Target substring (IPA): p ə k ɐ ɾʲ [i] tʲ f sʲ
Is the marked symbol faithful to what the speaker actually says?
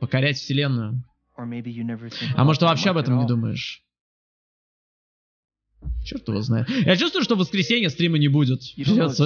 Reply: no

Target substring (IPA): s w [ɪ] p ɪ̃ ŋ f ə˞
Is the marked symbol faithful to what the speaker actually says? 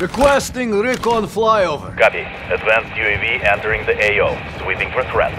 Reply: no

